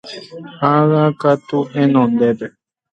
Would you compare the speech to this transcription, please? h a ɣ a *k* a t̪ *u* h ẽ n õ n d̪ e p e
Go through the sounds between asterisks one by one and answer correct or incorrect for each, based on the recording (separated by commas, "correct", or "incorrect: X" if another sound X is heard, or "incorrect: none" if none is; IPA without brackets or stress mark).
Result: correct, correct